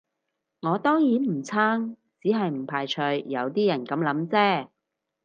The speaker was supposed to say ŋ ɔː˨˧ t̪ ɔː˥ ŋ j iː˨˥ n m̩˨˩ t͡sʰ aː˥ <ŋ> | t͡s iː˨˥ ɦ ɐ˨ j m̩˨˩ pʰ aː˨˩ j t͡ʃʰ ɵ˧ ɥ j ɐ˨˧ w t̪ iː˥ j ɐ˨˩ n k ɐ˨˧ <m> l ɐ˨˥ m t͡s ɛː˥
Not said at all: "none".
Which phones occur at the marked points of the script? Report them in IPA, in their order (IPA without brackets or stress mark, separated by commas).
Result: ŋ, m